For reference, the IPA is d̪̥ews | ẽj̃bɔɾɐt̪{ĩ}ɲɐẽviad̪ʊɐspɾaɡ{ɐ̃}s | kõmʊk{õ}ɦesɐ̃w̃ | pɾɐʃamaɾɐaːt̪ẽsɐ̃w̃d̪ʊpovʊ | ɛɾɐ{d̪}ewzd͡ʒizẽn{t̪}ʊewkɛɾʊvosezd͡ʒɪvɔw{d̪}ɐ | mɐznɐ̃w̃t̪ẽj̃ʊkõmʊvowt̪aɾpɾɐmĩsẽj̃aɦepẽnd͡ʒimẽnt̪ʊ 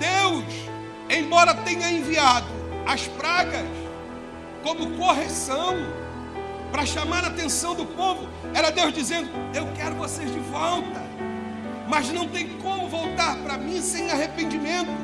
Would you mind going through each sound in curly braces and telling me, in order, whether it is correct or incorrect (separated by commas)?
incorrect, incorrect, incorrect, correct, incorrect, incorrect